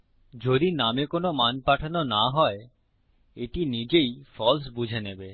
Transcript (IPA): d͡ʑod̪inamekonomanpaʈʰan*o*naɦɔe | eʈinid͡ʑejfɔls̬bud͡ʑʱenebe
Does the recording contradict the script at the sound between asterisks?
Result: no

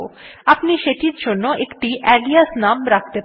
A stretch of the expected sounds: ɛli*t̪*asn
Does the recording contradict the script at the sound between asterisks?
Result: yes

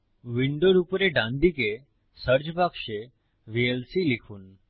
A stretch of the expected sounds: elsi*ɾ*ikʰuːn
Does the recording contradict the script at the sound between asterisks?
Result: yes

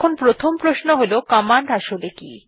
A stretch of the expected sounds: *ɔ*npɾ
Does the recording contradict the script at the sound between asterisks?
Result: yes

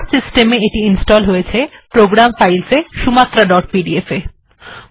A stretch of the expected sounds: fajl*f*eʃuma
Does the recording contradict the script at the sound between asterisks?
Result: yes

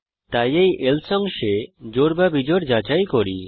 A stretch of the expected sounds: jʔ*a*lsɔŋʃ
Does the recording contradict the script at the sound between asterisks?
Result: yes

